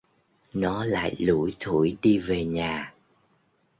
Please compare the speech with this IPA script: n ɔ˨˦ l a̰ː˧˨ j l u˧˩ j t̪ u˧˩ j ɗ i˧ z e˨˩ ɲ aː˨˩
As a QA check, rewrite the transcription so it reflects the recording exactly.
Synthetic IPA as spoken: n ɔ˨˦ l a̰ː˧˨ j l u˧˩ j t̪ʰ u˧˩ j ɗ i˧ v e˨˩ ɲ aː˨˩